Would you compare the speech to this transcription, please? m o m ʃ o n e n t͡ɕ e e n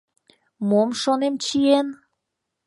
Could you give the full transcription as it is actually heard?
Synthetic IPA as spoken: m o m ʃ o n e m t͡ɕ i e n